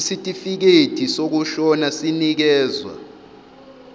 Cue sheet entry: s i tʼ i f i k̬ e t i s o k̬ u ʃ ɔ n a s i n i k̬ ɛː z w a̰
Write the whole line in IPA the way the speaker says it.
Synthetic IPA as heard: s i tʼ i f i k̬ e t i s o k̬ u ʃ ɔ n a s i n i k̬ ɛː z w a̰